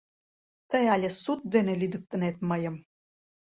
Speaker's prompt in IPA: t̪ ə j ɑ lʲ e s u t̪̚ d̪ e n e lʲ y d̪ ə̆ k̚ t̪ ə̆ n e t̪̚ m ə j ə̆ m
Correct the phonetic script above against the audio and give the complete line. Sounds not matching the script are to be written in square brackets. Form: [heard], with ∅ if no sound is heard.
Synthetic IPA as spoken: t̪ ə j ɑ lʲ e s u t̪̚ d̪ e n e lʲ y d̪ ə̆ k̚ t̪ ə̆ n e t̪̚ m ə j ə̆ m